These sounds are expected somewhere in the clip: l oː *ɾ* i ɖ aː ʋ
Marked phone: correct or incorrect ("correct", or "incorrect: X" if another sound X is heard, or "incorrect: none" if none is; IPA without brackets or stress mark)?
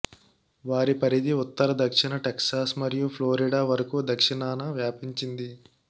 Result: correct